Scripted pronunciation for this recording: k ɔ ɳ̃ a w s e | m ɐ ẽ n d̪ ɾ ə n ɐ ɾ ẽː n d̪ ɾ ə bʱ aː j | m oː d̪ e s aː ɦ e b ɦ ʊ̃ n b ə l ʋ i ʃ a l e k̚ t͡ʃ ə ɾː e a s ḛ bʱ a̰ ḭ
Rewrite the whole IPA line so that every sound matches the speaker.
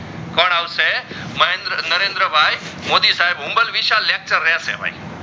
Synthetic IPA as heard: k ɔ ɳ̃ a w s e | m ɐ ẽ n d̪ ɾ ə n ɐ ɾ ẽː n d̪ ɾ ə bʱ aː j | m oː d̪ i s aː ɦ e b ɦ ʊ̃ m b ə l ʋ i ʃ a l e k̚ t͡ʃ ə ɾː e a s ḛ bʱ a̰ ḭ

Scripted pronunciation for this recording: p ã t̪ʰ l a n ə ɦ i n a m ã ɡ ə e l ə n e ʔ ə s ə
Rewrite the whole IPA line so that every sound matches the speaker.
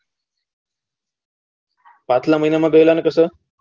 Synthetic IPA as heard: p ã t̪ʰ l a m ə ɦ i n a m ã ɡ ə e l a n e k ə s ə

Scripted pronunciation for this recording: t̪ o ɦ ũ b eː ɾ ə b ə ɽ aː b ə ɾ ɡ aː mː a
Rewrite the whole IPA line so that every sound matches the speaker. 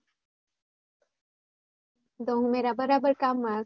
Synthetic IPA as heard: d̪ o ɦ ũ m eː ɾ a b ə ɾ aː b ə ɾ k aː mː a

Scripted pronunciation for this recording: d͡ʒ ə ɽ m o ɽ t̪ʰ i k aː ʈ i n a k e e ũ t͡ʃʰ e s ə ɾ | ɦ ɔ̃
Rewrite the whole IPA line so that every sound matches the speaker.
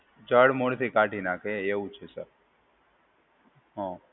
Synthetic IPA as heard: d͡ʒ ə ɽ m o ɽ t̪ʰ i k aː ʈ i n a k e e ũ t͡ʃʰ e s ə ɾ | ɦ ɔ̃

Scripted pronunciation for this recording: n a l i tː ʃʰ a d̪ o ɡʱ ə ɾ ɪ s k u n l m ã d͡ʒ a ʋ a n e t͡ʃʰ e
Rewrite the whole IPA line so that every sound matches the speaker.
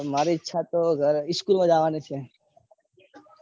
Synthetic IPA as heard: m a ɾ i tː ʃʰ a t̪ o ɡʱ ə ɾ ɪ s k u l m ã d͡ʒ a ʋ a n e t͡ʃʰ e

